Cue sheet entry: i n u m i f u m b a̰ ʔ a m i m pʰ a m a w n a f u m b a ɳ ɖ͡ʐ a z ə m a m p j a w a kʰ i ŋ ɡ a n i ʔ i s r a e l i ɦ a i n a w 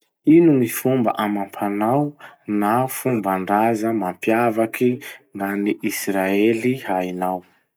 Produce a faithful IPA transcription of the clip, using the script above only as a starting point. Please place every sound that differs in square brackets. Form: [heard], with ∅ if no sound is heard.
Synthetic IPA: i n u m i f u m b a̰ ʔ a m [a] m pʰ a [n] a w n a f u m b a ɳ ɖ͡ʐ a z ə m a m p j a [v] a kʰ i ŋ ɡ a n i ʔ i s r a e l i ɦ a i n a w